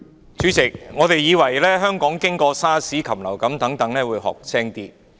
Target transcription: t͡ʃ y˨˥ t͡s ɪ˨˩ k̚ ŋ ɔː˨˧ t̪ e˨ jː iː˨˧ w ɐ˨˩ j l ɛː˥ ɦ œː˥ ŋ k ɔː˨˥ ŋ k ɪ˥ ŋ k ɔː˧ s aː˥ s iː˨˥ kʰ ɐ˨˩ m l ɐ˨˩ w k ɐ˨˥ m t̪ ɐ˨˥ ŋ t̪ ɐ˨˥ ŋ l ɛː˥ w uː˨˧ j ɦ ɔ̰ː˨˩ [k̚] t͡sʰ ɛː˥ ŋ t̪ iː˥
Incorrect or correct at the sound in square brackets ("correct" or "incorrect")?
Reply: correct